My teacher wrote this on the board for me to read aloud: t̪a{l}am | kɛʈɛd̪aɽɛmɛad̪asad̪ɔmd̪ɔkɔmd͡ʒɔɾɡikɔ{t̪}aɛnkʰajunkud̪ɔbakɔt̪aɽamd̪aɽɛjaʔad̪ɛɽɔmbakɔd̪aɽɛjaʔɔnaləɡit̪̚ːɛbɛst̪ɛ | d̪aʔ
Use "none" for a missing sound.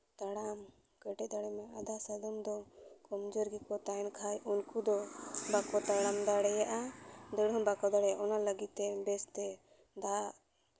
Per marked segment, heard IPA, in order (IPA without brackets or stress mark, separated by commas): ɽ, t̪